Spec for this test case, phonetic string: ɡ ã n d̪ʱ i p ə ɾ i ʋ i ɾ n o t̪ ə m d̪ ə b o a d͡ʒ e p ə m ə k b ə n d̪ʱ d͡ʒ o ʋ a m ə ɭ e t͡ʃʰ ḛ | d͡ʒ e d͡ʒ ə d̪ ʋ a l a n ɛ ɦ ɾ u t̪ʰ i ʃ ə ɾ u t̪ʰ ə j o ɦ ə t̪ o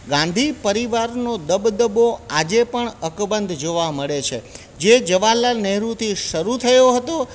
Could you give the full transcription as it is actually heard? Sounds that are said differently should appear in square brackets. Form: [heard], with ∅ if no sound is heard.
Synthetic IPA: ɡ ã n d̪ʱ i p ə ɾ i ʋ [a] ɾ n o [d̪] ə [b] d̪ ə b o a d͡ʒ e p ə [ɳ] ə k b ə n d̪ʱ d͡ʒ o ʋ a m ə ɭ e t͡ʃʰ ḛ | d͡ʒ e d͡ʒ ə [∅] ʋ a l a n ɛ ɦ ɾ u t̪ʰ i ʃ ə ɾ u t̪ʰ ə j o ɦ ə t̪ o